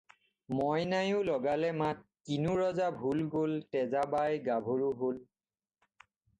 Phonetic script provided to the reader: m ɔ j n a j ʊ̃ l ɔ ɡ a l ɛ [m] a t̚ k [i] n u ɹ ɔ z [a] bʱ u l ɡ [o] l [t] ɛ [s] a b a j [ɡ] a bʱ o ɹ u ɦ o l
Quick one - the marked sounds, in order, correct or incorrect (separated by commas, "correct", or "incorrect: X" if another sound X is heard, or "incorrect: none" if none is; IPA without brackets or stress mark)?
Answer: correct, correct, correct, correct, correct, incorrect: z, correct